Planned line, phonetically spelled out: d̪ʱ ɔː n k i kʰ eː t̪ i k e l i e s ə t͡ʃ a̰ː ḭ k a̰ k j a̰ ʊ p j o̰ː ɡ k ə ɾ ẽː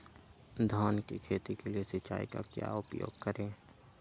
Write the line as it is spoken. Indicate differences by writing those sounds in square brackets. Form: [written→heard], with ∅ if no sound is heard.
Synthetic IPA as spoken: d̪ʱ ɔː n k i kʰ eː t̪ i k e l i e s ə t͡ʃ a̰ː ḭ k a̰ k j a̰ ʊ p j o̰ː ɡ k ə ɾ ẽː